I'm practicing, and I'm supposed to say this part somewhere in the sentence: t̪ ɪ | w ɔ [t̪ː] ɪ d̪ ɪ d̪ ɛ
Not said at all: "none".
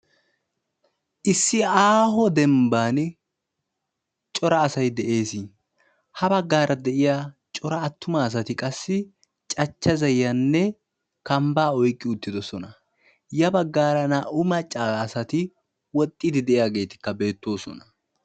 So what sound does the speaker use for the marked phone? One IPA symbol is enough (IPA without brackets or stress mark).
t̪ʼː